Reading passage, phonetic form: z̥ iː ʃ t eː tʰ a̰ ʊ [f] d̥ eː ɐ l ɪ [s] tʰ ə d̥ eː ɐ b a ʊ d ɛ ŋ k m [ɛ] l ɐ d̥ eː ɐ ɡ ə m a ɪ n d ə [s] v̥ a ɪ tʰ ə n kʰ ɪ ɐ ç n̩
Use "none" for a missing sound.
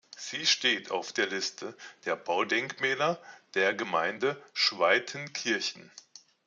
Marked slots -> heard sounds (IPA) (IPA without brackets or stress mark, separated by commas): f, s, ɛː, ʃ